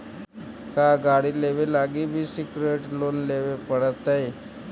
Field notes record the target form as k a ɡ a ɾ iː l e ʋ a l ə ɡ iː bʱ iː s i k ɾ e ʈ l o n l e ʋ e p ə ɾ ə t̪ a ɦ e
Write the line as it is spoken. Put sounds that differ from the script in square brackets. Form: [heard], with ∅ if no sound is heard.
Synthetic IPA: k a ɡ a [ɽ] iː l e ʋ [e] l [a] ɡ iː bʱ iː s i k ɾ e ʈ l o n l e ʋ e p ə [ɽ] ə t̪ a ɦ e